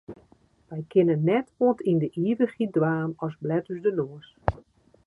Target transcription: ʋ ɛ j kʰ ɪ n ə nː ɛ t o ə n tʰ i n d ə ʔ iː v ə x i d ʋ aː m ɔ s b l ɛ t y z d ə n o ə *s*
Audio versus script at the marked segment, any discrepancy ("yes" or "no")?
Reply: no